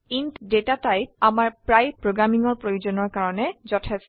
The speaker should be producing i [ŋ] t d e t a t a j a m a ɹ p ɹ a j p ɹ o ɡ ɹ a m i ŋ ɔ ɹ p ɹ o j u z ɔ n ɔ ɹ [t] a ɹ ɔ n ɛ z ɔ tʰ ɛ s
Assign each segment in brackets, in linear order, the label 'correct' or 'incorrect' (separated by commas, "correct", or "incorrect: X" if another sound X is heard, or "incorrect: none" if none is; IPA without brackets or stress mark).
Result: incorrect: n, incorrect: k